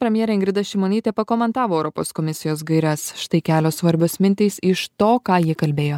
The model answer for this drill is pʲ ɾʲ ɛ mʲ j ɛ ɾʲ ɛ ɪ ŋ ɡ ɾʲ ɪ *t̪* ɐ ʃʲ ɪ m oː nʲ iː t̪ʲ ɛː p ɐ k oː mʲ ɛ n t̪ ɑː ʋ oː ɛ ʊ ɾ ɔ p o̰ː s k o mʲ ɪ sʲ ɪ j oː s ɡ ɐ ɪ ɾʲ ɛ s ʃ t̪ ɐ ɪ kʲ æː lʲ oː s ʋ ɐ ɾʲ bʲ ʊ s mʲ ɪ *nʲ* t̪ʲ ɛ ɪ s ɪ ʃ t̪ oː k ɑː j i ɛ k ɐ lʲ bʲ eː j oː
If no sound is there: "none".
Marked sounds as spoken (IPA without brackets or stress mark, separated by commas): d̪, nʲ